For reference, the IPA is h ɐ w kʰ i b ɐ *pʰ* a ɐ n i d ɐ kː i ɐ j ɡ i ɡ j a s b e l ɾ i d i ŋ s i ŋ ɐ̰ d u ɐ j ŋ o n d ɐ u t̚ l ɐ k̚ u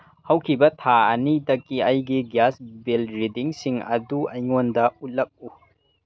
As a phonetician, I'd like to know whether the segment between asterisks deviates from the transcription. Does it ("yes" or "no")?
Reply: yes